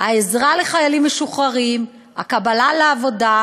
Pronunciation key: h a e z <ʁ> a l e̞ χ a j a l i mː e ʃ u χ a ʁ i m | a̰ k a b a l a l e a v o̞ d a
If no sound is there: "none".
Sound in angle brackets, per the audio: ʁ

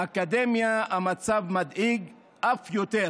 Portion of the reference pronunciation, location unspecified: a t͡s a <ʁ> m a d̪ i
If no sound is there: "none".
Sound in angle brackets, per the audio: v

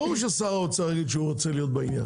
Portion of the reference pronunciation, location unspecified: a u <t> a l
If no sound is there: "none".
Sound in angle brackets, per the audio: t͡s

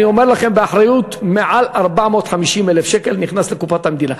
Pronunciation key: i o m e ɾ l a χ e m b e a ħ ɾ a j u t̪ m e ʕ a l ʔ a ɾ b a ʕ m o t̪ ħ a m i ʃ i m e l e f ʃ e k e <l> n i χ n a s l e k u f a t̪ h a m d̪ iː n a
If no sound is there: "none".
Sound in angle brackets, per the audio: l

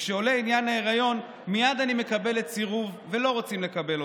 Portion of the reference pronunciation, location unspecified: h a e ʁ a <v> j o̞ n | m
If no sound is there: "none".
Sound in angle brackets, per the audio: none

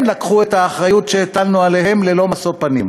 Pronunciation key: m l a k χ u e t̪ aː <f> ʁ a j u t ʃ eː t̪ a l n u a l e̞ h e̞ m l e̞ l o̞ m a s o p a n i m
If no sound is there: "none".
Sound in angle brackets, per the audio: χ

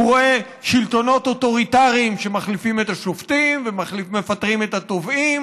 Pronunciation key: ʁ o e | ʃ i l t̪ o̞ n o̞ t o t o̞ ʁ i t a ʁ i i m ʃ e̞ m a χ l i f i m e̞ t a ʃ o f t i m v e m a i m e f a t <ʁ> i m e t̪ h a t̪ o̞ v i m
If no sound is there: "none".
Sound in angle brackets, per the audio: ʁ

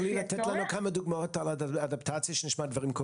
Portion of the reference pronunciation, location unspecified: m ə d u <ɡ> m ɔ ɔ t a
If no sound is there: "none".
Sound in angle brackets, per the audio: ɡ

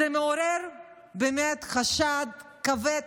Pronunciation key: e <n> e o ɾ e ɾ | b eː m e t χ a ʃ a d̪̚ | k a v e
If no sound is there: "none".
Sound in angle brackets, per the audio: m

